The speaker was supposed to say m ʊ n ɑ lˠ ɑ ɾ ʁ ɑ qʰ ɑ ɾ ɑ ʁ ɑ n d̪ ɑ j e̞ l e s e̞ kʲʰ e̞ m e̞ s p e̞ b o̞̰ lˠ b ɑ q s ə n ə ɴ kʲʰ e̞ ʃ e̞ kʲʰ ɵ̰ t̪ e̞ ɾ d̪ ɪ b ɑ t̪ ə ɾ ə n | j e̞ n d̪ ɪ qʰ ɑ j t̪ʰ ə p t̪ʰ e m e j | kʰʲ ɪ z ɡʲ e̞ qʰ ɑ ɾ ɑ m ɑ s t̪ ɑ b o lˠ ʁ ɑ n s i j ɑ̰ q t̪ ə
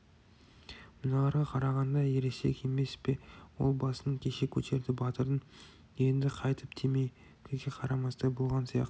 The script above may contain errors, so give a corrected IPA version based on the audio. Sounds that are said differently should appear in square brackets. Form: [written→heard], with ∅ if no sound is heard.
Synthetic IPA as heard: m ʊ n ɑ lˠ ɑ ɾ ʁ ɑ qʰ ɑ ɾ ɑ ʁ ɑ n d̪ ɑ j e̞ [l→ɾ] e s e̞ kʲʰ e̞ m e̞ s p e̞ [b→w] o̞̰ lˠ b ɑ [q→∅] s ə n ə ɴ kʲʰ e̞ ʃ e̞ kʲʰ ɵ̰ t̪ e̞ ɾ d̪ ɪ b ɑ t̪ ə ɾ ə n | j e̞ n d̪ ɪ qʰ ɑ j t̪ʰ ə p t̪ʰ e m e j | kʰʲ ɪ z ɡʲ e̞ qʰ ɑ ɾ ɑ m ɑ s t̪ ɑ b o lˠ ʁ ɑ n s i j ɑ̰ q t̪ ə